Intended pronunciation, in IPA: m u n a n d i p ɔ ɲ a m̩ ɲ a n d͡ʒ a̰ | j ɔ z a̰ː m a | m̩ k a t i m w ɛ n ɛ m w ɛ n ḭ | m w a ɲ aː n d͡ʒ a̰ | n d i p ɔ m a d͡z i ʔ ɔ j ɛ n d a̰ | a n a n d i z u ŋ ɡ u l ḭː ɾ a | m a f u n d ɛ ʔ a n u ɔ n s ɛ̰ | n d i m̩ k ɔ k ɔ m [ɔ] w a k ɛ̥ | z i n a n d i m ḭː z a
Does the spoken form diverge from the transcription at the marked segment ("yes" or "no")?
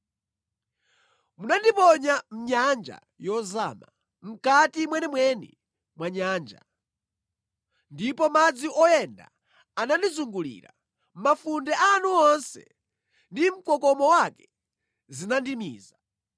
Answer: no